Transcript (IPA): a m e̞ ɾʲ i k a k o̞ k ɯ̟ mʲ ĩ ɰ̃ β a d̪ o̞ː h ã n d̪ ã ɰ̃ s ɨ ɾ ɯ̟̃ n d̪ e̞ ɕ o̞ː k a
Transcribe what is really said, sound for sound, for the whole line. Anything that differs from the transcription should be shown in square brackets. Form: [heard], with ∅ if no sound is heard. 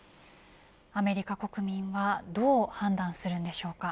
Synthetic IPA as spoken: a m e̞ ɾʲ i k a k o̞ k ɯ̟ mʲ ĩ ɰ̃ β a d̪ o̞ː h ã n d̪ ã ɰ̃ s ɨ ɾ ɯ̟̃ n d̪ e̞ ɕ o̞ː k a